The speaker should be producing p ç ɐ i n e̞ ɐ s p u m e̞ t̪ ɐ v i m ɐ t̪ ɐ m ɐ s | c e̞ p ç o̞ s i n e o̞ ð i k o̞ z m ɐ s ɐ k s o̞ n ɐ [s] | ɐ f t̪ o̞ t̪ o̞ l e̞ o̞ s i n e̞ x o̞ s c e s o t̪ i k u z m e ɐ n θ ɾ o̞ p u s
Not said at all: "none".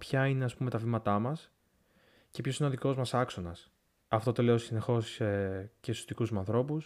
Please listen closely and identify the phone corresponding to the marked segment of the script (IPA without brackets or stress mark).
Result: s